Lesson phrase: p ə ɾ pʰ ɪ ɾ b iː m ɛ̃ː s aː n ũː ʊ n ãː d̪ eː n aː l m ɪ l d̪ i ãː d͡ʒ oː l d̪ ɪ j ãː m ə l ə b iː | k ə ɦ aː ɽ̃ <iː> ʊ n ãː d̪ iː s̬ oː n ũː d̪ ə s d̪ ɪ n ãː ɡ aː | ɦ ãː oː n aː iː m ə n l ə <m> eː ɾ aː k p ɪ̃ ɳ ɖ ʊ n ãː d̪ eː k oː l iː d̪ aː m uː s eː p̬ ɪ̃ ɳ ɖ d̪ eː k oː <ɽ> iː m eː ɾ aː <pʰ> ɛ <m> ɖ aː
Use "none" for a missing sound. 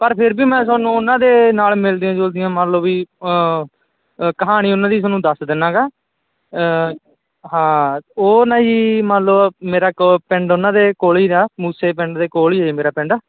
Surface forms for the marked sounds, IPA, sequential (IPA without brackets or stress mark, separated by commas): iː, m, l, p, ɳ